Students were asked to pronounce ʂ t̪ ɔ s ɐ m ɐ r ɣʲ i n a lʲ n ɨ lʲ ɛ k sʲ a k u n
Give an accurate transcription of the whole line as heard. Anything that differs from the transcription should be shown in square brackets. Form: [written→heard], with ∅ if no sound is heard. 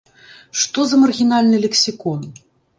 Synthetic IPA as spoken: ʂ t̪ ɔ [s→z] ɐ m ɐ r ɣʲ i n a lʲ n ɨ lʲ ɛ k sʲ [a→i] k [u→ɔ] n